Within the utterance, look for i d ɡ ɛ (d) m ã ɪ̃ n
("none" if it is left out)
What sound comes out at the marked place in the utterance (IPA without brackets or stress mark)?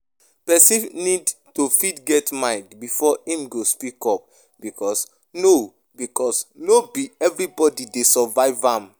t